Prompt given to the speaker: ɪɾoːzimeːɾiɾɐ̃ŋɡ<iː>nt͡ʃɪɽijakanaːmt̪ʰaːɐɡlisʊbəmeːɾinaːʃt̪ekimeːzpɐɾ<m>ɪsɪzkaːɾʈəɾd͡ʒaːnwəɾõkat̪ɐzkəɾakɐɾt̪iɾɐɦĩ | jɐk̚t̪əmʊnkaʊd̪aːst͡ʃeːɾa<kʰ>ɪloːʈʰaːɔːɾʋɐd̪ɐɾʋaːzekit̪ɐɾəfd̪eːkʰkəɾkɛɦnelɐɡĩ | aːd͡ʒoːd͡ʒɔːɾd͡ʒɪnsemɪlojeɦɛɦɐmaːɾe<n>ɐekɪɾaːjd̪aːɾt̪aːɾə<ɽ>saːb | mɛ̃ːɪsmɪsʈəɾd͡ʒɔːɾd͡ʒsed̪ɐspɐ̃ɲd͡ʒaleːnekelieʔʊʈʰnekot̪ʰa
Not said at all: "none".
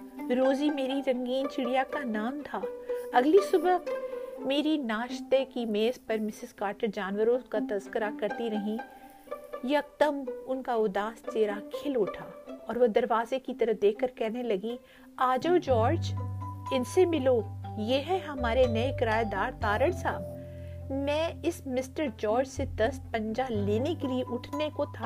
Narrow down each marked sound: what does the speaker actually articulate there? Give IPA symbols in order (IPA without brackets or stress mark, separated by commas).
iː, m, kʰ, n, ɽ